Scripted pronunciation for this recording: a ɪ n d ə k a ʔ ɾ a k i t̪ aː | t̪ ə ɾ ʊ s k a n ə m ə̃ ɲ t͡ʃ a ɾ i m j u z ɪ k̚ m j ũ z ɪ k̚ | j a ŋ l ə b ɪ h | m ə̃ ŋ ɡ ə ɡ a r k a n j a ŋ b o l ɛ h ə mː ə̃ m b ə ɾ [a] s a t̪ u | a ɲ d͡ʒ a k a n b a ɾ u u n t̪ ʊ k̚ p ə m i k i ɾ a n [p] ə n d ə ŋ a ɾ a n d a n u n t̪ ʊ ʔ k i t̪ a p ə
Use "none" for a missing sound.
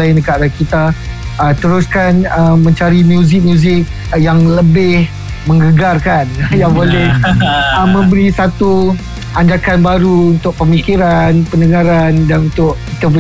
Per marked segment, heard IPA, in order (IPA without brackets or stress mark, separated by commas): i, p